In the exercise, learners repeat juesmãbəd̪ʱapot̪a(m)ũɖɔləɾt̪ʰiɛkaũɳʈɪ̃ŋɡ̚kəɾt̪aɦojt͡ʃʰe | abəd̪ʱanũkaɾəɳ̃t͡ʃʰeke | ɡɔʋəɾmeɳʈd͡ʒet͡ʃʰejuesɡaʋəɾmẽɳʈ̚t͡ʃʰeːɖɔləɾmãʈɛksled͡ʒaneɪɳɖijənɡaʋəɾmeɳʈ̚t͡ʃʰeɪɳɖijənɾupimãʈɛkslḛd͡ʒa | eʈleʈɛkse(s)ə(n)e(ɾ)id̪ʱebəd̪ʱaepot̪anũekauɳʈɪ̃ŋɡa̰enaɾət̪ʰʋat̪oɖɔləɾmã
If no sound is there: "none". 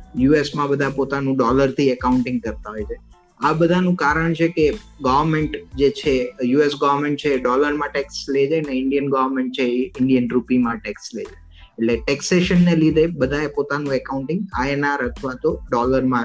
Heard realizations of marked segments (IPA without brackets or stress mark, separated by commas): n, ʃ, nː, l